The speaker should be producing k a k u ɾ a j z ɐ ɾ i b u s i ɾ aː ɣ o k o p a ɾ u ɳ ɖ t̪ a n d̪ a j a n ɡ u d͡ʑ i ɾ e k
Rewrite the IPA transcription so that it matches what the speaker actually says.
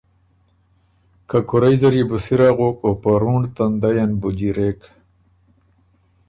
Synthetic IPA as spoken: k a k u ɾ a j z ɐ ɾ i b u s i ɾ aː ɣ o k o p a ɾ u ɳ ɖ t̪ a n d̪ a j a n b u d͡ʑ i ɾ e k